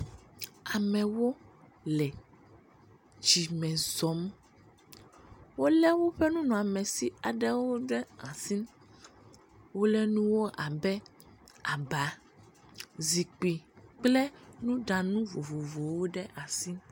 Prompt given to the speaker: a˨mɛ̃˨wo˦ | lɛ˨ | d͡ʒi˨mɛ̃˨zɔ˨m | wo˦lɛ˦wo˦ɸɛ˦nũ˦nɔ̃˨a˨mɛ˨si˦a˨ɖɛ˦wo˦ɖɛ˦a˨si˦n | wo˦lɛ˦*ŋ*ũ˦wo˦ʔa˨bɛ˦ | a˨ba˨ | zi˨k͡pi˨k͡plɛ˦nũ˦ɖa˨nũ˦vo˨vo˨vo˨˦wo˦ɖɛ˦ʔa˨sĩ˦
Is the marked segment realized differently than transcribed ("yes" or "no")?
yes